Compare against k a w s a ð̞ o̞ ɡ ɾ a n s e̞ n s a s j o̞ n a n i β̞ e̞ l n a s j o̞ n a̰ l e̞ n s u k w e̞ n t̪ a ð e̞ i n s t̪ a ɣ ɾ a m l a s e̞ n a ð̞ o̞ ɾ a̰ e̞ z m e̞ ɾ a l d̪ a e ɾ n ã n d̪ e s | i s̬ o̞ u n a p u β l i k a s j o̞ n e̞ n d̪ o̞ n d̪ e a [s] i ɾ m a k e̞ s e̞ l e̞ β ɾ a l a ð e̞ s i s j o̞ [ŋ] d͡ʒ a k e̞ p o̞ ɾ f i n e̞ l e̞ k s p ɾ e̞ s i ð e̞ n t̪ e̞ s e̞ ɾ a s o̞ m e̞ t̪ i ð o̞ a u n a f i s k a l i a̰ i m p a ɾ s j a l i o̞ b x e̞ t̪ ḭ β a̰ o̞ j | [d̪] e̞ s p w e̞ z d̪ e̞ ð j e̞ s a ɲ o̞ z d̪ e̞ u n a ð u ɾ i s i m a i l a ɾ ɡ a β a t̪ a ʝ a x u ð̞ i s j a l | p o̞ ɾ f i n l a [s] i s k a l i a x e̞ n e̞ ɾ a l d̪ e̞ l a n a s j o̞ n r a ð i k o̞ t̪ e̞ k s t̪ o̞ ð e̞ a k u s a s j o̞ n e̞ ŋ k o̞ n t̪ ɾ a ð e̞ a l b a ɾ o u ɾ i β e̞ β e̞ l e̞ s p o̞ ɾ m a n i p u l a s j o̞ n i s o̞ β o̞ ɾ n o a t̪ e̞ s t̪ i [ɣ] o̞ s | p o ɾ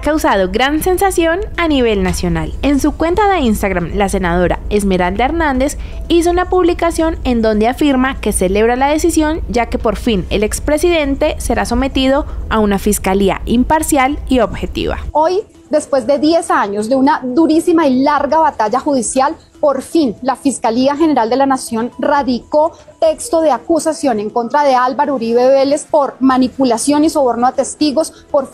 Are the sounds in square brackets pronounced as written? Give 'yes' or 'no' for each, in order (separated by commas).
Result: no, no, yes, no, yes